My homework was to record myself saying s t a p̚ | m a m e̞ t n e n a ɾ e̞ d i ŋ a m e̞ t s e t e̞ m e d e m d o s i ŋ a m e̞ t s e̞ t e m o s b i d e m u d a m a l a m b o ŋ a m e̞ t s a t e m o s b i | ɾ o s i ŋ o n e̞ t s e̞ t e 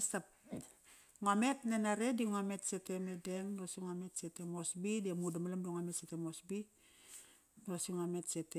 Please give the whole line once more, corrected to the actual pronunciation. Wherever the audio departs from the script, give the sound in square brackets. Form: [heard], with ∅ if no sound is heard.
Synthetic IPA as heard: s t a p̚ | [ŋ] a m e̞ t n e n a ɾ e̞ d i ŋ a m e̞ t s e t e̞ m e d e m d o s i ŋ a m e̞ t s e̞ t e m o s b i d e m u d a m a l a m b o ŋ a m e̞ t s [e] t e m o s b i | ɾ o s i ŋ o [m] e̞ t s e̞ t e